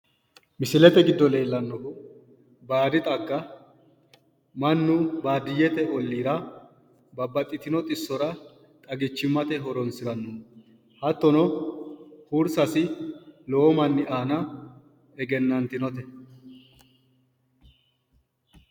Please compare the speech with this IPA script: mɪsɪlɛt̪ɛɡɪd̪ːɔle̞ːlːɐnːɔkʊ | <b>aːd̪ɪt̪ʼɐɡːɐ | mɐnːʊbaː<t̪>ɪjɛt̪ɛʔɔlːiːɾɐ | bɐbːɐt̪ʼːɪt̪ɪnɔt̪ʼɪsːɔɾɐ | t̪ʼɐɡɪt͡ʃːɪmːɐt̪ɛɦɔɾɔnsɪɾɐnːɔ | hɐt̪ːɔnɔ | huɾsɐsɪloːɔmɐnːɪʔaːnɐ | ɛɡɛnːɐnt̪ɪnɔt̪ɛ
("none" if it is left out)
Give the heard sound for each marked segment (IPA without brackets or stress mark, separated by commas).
b, d̪